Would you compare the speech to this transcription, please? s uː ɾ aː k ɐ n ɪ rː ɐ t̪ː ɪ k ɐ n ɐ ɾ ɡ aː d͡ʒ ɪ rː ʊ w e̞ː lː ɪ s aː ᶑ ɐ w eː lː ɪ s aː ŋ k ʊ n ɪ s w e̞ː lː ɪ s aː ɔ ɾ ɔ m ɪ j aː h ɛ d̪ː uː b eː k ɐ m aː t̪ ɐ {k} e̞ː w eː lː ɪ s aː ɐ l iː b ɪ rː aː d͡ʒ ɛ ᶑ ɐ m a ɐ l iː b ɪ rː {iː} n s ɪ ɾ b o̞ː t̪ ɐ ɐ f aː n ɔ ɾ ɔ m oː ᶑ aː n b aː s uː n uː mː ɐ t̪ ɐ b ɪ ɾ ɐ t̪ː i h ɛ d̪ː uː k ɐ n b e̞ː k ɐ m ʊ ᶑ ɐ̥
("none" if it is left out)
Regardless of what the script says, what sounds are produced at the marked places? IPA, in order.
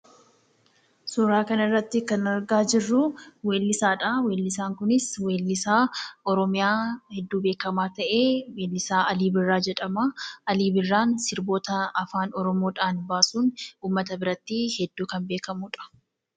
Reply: ʔ, aː

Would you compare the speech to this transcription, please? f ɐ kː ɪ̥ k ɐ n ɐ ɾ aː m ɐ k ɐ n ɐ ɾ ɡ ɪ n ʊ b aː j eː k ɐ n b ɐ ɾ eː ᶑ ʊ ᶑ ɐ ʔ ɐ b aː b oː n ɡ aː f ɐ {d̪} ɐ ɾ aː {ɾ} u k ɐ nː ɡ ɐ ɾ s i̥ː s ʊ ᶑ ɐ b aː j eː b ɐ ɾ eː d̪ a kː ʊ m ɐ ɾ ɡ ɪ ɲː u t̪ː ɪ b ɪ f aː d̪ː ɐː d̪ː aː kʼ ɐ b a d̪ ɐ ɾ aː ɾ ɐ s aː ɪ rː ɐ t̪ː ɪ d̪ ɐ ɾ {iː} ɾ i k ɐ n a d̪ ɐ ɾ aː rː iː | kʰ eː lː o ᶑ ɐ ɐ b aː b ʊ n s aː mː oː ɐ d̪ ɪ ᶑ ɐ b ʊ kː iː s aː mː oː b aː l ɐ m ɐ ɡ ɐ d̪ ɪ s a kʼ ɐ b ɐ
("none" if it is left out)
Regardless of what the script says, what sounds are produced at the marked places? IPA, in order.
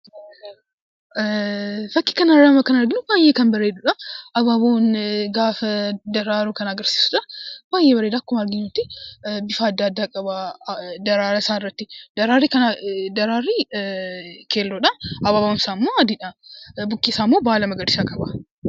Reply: d̪, ɾ, aː

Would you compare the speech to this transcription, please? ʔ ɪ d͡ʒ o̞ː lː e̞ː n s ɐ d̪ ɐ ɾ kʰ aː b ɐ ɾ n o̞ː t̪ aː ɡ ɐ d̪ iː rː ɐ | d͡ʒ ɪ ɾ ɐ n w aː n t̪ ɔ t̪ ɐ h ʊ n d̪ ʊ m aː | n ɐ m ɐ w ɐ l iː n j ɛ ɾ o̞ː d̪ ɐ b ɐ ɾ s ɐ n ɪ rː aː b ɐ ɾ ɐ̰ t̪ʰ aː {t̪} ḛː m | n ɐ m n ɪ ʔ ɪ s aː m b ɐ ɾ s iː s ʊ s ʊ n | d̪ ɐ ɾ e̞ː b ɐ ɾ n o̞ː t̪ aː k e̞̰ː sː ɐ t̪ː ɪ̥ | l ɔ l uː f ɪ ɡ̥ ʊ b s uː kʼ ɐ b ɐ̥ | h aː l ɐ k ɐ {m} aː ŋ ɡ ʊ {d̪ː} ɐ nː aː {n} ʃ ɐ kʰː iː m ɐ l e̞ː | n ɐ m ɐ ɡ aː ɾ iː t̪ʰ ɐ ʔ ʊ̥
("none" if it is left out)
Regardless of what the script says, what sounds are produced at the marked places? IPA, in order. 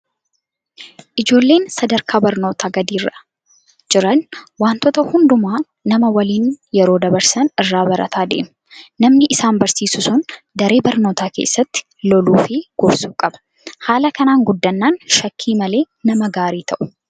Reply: d̪, n, d̪ː, n

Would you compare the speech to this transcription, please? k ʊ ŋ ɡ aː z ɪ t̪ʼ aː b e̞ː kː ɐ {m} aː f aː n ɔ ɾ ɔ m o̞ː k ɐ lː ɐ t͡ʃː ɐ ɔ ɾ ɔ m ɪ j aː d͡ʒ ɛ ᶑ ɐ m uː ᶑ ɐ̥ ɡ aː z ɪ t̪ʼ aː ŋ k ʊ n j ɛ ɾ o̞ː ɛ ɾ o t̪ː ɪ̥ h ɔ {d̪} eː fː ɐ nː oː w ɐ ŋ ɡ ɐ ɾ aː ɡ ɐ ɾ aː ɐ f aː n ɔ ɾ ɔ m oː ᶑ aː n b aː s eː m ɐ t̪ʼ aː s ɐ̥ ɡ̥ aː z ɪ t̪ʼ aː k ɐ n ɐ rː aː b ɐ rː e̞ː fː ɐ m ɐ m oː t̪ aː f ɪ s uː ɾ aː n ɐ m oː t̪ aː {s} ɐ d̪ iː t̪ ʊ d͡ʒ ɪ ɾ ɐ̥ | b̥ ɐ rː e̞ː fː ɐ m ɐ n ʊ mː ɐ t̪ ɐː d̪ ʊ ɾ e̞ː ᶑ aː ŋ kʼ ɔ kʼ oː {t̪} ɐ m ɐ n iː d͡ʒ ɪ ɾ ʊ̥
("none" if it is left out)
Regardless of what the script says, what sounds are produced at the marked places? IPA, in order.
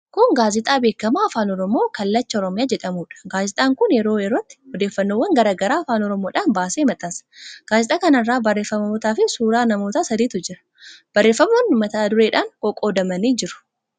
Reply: m, d̪, s, d̪

